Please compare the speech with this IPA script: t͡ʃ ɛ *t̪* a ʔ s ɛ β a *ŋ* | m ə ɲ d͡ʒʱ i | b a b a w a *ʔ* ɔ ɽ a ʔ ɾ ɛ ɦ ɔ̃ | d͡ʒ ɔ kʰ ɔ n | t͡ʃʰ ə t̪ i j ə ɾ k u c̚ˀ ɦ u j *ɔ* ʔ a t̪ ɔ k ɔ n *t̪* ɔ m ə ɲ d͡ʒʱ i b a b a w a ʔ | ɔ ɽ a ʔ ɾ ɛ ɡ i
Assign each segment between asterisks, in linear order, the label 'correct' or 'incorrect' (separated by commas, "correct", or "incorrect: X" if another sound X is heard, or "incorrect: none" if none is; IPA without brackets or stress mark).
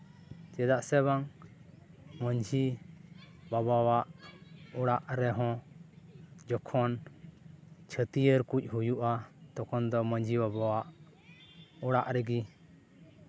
incorrect: d̪, correct, correct, incorrect: u, incorrect: d̪